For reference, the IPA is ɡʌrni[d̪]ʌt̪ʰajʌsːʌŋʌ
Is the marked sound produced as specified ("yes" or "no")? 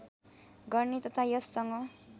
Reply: no